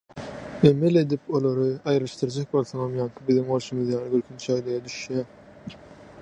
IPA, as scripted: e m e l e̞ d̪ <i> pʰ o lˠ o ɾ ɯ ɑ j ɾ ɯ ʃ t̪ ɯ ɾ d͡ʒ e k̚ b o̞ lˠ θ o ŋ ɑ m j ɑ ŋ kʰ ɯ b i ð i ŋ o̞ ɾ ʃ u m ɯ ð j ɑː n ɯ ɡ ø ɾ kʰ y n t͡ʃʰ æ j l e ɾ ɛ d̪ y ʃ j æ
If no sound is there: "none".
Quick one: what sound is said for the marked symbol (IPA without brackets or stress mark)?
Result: i